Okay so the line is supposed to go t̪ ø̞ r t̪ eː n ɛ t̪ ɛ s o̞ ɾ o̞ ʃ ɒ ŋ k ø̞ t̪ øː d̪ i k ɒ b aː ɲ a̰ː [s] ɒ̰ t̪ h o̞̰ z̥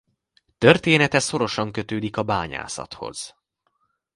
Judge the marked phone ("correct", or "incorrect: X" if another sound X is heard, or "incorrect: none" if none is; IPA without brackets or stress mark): correct